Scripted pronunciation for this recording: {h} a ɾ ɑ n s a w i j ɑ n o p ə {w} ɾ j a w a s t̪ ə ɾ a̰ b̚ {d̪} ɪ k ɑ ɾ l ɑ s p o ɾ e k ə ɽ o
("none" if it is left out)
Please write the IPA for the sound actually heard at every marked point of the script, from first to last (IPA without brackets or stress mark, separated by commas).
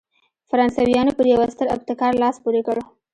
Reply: f, none, t̪